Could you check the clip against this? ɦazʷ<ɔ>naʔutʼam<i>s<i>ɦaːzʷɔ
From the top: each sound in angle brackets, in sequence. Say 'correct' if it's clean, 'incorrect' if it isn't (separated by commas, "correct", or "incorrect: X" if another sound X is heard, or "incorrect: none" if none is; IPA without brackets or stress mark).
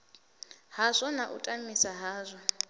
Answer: correct, correct, incorrect: a